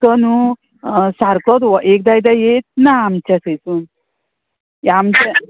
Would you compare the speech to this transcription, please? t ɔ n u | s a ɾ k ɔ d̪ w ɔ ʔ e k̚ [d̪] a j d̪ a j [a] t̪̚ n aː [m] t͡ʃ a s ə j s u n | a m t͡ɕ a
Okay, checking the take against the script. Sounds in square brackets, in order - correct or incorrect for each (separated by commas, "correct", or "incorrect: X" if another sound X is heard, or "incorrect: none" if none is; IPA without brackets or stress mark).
correct, incorrect: e, correct